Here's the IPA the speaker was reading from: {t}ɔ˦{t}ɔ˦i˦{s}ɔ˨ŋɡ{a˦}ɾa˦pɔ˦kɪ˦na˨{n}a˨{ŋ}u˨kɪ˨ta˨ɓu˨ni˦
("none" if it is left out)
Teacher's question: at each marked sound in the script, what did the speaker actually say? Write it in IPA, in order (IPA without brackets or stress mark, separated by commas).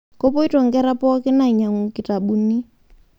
k, p, t, ɛ˦, ɲ, ŋ